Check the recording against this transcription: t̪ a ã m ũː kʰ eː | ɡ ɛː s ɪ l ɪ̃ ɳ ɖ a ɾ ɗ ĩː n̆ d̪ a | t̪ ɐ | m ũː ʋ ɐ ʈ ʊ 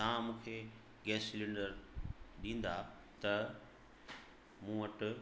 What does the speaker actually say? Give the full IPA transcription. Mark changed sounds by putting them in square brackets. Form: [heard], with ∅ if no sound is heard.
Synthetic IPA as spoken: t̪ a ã m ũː kʰ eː | ɡ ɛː s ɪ l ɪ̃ ɳ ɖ [ə] ɾ ɗ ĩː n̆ d̪ a | t̪ ɐ | m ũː ʋ ɐ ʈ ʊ

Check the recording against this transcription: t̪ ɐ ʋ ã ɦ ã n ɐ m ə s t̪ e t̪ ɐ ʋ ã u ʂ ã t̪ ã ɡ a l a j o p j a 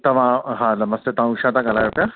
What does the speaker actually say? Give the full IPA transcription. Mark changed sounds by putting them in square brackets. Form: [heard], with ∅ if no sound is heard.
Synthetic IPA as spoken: t̪ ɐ ʋ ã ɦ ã n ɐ m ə s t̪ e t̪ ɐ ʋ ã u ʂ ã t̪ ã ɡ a l a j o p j a

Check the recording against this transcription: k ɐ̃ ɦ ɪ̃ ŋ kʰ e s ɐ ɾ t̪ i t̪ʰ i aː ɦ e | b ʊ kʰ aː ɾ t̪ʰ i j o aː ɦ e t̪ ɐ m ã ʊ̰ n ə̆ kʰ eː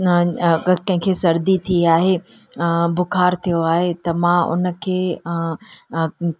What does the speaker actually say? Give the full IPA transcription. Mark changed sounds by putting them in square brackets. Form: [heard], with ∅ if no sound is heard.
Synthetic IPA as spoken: k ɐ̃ ɦ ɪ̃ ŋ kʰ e s ɐ ɾ [d̪] i t̪ʰ i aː ɦ e | b ʊ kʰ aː ɾ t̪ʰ i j o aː ɦ e t̪ ɐ m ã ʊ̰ n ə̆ kʰ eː

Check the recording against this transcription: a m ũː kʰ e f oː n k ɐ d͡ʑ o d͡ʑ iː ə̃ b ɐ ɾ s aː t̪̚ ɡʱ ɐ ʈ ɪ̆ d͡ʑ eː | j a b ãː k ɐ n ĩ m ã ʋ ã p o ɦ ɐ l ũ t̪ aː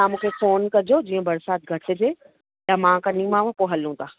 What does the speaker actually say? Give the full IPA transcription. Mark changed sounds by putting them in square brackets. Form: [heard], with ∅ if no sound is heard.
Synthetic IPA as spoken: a m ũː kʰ e f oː n k ɐ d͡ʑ o d͡ʑ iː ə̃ b ɐ ɾ s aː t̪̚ ɡʱ ɐ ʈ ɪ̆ d͡ʑ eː | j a [m] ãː k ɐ n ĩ m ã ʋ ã p o ɦ ɐ l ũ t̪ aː

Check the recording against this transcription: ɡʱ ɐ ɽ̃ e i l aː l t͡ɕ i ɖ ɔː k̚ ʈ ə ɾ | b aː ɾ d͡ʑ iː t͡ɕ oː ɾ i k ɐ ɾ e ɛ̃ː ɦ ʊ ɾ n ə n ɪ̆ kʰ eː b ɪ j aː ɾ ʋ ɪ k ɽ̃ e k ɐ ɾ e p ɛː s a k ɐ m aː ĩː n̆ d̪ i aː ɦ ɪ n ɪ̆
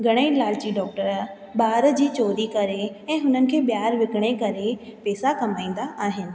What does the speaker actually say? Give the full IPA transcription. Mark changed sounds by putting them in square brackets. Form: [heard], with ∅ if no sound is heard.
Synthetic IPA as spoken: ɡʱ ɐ ɽ̃ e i l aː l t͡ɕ i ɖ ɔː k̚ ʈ ə ɾ | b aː ɾ d͡ʑ iː t͡ɕ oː ɾ i k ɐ ɾ e ɛ̃ː ɦ ʊ [∅] n ə n ɪ̆ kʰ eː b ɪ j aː ɾ ʋ ɪ k ɽ̃ e k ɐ ɾ e p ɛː s a k ɐ m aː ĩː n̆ d̪ [a] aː ɦ ɪ n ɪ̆

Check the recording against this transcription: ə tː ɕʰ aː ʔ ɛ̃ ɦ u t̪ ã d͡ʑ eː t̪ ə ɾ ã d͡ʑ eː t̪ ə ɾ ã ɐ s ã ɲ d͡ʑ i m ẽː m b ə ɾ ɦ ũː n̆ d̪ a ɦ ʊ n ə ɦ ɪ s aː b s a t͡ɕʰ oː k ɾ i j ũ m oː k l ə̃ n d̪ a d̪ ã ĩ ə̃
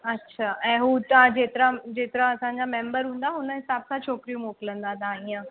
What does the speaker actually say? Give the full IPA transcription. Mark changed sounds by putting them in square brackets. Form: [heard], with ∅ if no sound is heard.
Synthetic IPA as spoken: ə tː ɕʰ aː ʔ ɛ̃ ɦ u t̪ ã d͡ʑ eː t̪ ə ɾ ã d͡ʑ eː t̪ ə ɾ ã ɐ s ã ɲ d͡ʑ [a] m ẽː m b ə ɾ ɦ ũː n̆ d̪ a ɦ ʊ n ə ɦ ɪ s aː b s a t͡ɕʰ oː k ɾ i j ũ m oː k l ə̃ n d̪ a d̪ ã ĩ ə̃

